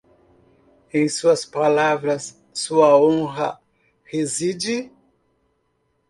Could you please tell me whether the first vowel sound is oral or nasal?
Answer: nasal